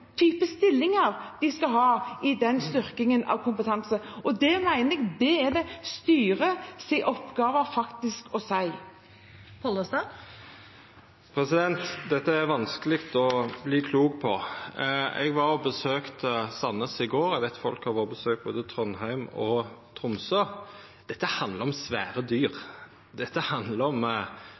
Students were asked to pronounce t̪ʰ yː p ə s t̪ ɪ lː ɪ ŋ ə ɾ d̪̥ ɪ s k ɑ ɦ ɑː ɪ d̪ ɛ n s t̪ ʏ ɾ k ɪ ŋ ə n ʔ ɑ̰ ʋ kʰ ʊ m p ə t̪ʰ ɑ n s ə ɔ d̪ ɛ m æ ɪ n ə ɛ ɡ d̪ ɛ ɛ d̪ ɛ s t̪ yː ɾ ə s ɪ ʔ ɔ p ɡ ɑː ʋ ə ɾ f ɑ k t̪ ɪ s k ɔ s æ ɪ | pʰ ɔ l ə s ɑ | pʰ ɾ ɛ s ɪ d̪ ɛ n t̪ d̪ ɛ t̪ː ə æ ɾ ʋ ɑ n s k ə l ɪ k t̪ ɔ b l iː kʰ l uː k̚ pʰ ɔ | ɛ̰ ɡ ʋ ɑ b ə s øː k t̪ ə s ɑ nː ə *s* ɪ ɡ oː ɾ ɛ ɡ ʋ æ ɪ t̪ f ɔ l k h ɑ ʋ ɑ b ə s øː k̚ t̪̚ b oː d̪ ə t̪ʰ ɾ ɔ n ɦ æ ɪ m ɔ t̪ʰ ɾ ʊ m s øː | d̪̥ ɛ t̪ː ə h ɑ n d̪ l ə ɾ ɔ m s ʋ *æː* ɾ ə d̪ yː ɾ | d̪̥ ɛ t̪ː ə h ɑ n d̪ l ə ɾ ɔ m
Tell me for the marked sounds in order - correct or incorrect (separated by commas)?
correct, correct